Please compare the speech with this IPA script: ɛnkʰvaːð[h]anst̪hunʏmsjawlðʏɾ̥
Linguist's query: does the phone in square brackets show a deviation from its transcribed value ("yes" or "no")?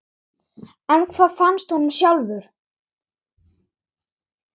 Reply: yes